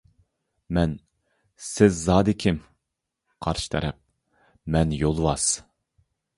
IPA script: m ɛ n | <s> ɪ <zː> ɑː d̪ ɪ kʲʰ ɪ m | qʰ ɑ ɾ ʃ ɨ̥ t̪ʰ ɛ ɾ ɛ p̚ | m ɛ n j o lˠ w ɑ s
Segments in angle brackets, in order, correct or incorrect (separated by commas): correct, correct